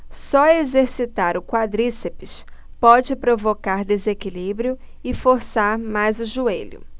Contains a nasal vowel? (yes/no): no